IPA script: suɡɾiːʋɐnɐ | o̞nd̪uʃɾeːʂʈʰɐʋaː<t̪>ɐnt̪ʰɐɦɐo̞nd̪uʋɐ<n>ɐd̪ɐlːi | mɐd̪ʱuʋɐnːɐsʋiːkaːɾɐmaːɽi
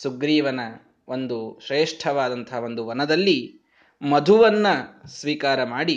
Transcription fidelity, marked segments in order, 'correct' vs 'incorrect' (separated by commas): incorrect, correct